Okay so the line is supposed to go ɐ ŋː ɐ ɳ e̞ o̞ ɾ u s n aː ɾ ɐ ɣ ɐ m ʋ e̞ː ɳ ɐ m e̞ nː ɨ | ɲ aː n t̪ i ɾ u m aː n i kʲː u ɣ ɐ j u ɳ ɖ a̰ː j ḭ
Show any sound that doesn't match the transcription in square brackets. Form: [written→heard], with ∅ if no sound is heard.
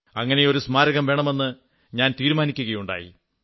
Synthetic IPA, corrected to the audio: ɐ ŋː ɐ [ɳ→n] e̞ o̞ ɾ u s [n→m] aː ɾ ɐ ɣ ɐ m ʋ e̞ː ɳ ɐ m e̞ nː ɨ | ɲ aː n t̪ [i→iː] ɾ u m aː n i kʲː u ɣ ɐ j u ɳ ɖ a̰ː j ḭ

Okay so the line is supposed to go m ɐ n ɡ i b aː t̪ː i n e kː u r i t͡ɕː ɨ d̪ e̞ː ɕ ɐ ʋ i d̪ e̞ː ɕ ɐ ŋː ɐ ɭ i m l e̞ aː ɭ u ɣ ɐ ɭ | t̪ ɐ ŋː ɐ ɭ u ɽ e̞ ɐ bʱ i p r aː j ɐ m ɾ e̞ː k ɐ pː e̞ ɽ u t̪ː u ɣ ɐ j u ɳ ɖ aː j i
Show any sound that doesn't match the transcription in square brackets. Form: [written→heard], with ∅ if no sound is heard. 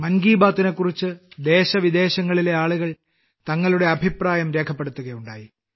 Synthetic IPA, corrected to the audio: m ɐ n ɡ [i→iː] b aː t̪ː i n e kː u r i t͡ɕː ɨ d̪ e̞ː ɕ ɐ ʋ i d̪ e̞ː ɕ ɐ ŋː ɐ ɭ i [m→∅] l e̞ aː ɭ u ɣ ɐ ɭ | t̪ ɐ ŋː ɐ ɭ u ɽ e̞ ɐ bʱ i p r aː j ɐ m ɾ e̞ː [k→kʰ] ɐ pː e̞ ɽ u t̪ː u ɣ ɐ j u ɳ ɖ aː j i

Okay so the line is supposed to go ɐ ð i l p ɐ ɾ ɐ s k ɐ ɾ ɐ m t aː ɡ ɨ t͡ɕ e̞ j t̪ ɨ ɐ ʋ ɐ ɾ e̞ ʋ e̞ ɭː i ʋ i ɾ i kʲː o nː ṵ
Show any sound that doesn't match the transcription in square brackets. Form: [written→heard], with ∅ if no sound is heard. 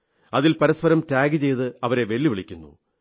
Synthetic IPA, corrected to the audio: ɐ ð i l p ɐ ɾ ɐ s [k→p] ɐ ɾ ɐ m t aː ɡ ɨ t͡ɕ e̞ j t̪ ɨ ɐ ʋ ɐ ɾ e̞ ʋ e̞ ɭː i ʋ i [ɾ→ɭ] i kʲː [o→u] nː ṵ

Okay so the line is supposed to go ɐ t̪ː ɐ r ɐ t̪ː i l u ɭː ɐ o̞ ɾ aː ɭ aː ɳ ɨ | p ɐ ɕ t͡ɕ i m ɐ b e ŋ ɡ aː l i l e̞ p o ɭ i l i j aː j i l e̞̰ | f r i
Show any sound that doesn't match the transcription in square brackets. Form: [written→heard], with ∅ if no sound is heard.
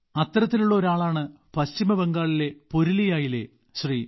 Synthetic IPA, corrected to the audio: ɐ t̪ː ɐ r ɐ t̪ː i l u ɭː ɐ o̞ ɾ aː ɭ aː ɳ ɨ | p ɐ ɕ t͡ɕ i m ɐ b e ŋ ɡ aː [l→ɭ] i l e̞ p o [ɭ→ɾ] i l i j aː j i l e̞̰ | [f→ɕ] r i

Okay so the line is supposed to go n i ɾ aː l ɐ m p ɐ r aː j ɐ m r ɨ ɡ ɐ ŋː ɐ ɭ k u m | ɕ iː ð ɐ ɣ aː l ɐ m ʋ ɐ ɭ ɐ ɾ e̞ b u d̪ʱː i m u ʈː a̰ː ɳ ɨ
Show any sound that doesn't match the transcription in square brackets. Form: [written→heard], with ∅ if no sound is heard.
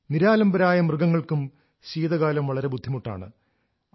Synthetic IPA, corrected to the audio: n i ɾ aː l ɐ m [p→b] ɐ [r→ɾ] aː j ɐ m r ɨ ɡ ɐ ŋː ɐ ɭ k u m | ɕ iː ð ɐ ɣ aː l ɐ m ʋ ɐ ɭ ɐ ɾ e̞ b u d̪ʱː i m u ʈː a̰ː ɳ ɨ

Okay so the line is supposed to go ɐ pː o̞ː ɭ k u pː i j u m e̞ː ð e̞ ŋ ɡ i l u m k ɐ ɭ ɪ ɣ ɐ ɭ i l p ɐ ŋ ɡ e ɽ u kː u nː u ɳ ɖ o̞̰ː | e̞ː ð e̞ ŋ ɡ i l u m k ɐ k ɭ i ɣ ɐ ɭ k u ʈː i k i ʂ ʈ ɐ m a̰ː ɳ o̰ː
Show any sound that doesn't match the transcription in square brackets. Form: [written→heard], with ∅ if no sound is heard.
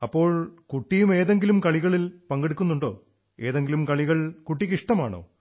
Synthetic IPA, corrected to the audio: ɐ pː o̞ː ɭ k u [pː→ʈː] i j u m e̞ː ð e̞ ŋ ɡ i l u m k ɐ ɭ [ɪ→i] ɣ ɐ ɭ i l p ɐ ŋ ɡ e ɽ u kː u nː u ɳ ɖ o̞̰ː | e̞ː ð e̞ ŋ ɡ i l u m k ɐ [k→∅] ɭ i ɣ ɐ ɭ k u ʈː i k i ʂ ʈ ɐ m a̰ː ɳ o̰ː

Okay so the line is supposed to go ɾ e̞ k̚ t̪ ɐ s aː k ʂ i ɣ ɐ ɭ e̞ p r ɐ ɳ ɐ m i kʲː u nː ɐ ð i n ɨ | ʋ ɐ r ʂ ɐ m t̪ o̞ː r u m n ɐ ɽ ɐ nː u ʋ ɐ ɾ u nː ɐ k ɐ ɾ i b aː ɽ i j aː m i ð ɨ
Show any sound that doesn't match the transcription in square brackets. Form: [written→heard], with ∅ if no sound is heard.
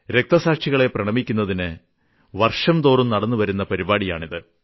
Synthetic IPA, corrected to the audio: ɾ e̞ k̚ t̪ ɐ s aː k ʂ i ɣ ɐ ɭ e̞ p r ɐ ɳ ɐ m i kʲː u nː ɐ ð i n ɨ | ʋ ɐ r ʂ ɐ m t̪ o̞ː r u m n ɐ ɽ ɐ nː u ʋ ɐ ɾ u nː ɐ [k→p] ɐ ɾ i b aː ɽ i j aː [m→ɳ] i ð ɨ

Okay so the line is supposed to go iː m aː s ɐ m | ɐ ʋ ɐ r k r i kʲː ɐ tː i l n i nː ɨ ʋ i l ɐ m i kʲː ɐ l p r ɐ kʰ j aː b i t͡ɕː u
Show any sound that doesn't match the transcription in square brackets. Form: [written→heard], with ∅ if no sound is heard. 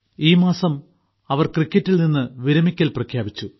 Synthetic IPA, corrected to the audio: iː m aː s ɐ m | ɐ ʋ ɐ r k r i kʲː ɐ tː i l n i nː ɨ ʋ i [l→ɾ] ɐ m i kʲː ɐ l p r ɐ kʰ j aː b i t͡ɕː u

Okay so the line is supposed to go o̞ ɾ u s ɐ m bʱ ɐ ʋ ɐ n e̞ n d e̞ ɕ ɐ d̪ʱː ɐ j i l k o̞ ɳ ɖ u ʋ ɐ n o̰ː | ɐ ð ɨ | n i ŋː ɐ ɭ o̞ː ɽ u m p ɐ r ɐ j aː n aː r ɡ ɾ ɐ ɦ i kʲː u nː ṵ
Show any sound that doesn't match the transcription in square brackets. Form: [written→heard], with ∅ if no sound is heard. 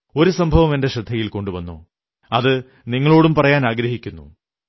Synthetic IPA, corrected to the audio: o̞ ɾ u s ɐ m bʱ ɐ ʋ ɐ [n→m] e̞ n d e̞ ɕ ɐ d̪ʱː ɐ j i l k o̞ ɳ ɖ u ʋ ɐ [n→nː] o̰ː | ɐ ð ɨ | n i ŋː ɐ ɭ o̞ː ɽ u m p ɐ r ɐ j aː n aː [r→∅] ɡ ɾ ɐ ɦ i kʲː u nː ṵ

